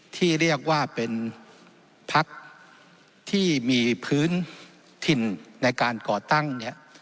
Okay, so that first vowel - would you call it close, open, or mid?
close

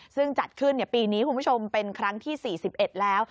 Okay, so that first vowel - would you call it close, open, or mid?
close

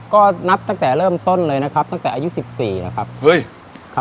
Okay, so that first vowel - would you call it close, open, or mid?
mid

